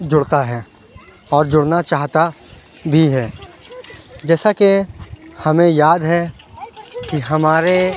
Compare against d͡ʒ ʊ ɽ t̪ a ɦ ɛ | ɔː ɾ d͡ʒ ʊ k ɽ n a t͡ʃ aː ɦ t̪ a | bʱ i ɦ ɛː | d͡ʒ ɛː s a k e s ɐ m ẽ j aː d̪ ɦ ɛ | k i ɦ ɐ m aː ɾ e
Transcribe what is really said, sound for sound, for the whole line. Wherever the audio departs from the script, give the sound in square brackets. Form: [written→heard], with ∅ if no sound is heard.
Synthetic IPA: d͡ʒ ʊ ɽ t̪ a ɦ ɛ | ɔː ɾ d͡ʒ ʊ [k→∅] ɽ n a t͡ʃ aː ɦ t̪ a | bʱ i ɦ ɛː | d͡ʒ ɛː s a k e [s→h] ɐ m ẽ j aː d̪ ɦ ɛ | k i ɦ ɐ m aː ɾ e